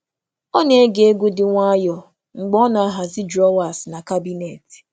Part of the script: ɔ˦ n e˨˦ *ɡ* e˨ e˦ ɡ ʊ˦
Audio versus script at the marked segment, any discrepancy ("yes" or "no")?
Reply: no